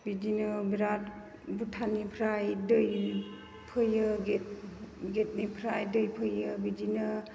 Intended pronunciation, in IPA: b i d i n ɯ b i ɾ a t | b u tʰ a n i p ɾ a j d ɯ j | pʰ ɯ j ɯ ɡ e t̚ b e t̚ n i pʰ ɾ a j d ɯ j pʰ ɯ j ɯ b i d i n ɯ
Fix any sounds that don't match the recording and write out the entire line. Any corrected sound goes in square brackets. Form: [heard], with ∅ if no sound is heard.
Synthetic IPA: b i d i n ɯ b i ɾ a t | b u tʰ a n i [pʰ] ɾ a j d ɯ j | pʰ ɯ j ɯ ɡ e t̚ [ɡ] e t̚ n i pʰ ɾ a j d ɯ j pʰ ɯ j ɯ b i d i n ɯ